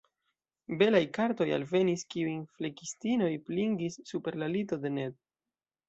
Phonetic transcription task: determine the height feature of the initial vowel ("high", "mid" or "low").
mid